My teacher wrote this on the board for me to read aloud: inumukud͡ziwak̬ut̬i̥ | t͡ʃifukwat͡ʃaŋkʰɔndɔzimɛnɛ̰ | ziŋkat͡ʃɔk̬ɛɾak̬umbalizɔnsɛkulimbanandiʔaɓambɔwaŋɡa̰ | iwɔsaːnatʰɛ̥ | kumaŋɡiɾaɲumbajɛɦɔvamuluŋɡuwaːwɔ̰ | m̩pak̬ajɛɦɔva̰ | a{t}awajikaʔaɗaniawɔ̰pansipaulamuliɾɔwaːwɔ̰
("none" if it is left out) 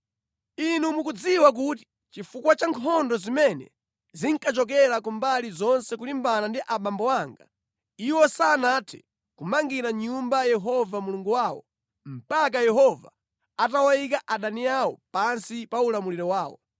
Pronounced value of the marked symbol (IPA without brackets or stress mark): t